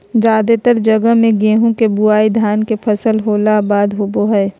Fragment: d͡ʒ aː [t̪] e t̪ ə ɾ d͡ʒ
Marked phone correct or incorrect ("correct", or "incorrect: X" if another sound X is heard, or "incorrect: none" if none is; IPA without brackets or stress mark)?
incorrect: d̪